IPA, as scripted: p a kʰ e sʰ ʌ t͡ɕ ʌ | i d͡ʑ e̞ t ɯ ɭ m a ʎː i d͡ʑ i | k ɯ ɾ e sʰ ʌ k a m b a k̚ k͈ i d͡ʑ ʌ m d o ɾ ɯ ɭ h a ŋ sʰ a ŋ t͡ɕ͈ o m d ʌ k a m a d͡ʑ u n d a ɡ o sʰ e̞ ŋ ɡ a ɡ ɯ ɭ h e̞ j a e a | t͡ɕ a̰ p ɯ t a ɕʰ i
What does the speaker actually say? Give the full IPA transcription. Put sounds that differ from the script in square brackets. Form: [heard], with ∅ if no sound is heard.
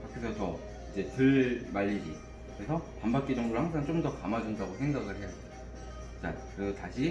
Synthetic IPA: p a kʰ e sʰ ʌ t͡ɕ ʌ | i d͡ʑ e̞ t ɯ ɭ m a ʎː i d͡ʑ i | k ɯ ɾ e sʰ ʌ [p] a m b a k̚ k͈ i d͡ʑ ʌ [ŋ] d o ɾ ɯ ɭ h a ŋ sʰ a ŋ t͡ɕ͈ o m d ʌ k a m a d͡ʑ u n d a ɡ o sʰ e̞ ŋ ɡ a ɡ ɯ ɭ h e̞ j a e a | t͡ɕ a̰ [k] ɯ t a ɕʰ i